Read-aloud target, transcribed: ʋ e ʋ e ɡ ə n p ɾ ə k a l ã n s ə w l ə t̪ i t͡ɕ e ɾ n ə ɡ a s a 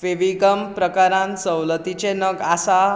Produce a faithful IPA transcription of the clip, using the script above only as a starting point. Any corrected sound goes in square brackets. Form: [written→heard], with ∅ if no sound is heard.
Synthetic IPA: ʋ e ʋ [e→i] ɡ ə [n→m] p ɾ ə k a [l→ɾ] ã n s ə w l ə t̪ i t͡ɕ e [ɾ→∅] n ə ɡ a s a

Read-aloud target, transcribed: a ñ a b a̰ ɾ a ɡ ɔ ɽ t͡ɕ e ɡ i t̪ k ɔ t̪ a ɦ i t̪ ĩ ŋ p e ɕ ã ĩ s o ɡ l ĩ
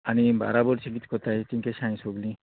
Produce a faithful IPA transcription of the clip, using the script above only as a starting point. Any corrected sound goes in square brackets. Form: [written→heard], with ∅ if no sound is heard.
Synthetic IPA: a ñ [a→i] b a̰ ɾ a [ɡ→b] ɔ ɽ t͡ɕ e ɡ i t̪ k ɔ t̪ a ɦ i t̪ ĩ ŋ [p→k] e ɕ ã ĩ s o ɡ l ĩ

